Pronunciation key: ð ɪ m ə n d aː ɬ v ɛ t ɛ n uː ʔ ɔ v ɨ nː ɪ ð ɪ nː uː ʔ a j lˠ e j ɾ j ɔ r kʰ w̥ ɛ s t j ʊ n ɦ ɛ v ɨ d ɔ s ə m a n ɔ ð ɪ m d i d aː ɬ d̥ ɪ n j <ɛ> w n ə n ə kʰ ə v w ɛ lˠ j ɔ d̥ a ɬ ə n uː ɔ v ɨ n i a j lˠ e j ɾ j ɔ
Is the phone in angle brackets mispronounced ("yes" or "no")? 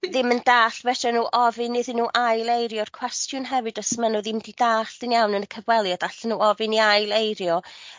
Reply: yes